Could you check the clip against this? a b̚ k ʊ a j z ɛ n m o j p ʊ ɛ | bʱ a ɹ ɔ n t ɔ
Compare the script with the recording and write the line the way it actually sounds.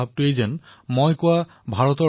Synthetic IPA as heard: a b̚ t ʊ e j z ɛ n m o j k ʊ a | bʱ a ɹ ɔ t ɔ

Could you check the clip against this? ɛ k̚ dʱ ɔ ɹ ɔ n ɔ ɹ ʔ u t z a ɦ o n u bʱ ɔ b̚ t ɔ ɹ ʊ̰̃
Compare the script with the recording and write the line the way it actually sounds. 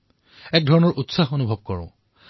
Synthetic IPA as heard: ɛ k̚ dʱ ɔ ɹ ɔ n ɔ ɹ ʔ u t s a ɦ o n u bʱ ɔ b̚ k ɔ ɹ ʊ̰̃

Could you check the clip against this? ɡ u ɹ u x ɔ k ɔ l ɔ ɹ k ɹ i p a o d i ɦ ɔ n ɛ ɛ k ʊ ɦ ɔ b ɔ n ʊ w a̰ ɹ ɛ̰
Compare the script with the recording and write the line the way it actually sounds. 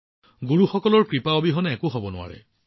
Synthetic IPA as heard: ɡ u ɹ u x ɔ k ɔ l ɔ ɹ k ɹ i p a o b i ɦ ɔ n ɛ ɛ k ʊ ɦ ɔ b ɔ n ʊ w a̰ ɹ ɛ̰

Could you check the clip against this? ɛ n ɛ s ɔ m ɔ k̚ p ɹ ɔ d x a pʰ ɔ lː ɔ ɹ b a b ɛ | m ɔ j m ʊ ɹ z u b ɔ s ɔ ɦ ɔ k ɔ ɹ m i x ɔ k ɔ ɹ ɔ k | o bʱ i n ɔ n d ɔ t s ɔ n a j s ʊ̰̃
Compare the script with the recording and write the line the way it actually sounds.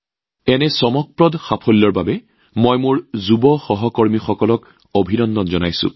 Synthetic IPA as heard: ɛ n ɛ s ɔ m ɔ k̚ p ɹ ɔ d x a pʰ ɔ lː ɔ ɹ b a b ɛ | m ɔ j m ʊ ɹ z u b ɔ x ɔ ɦ ɔ k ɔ ɹ m i x ɔ k ɔ l ɔ k | o bʱ i n ɔ n d ɔ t z ɔ n a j s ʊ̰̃

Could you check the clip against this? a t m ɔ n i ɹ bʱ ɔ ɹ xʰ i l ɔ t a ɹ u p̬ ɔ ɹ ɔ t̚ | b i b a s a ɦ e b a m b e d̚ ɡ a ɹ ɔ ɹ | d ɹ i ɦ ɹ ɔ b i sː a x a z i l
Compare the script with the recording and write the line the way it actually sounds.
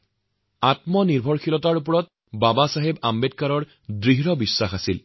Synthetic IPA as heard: a t m ɔ n i ɹ bʱ ɔ ɹ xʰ i l ɔ t a ɹ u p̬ ɔ ɹ ɔ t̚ | b a b a s a ɦ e b a m b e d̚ k a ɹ ɔ ɹ | d ɹ i ɦ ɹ ɔ b i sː a x a s i l

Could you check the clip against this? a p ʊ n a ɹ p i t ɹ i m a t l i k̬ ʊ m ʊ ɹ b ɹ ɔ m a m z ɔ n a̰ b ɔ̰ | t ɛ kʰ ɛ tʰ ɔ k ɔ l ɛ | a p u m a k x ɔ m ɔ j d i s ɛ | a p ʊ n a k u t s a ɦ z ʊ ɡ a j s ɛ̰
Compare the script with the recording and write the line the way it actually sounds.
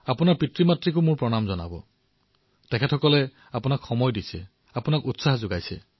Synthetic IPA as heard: a p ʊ n a ɹ p i t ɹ i m a t ɹ i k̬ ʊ m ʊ ɹ p ɹ ɔ n a m z ɔ n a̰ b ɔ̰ | t ɛ kʰ ɛ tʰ ɔ k ɔ l ɛ | a p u n a k x ɔ m ɔ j d i s ɛ | a p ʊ n a k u t s a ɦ z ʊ ɡ a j s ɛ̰

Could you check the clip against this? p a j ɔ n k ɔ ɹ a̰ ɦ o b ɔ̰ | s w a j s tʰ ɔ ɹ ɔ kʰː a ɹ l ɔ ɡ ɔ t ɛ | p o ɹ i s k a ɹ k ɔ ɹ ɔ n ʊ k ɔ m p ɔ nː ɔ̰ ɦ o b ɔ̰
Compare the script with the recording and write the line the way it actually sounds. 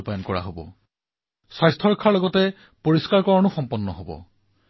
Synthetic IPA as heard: p a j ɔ n k ɔ ɹ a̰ ɦ o b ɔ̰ | s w a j s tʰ ɔ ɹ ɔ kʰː a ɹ l ɔ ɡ ɔ t ɛ | p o ɹ i s k a ɹ k ɔ ɹ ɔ n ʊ x ɔ m p ɔ nː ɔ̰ ɦ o b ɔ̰

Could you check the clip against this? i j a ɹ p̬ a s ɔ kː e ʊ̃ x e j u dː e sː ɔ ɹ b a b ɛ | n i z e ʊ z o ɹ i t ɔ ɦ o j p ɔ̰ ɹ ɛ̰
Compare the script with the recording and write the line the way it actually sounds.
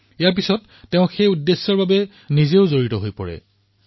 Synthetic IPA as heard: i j a ɹ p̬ i s ɔ tː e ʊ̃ x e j u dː e sː ɔ ɹ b a b ɛ | n i z e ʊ z o ɹ i t ɔ ɦ o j p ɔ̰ ɹ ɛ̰

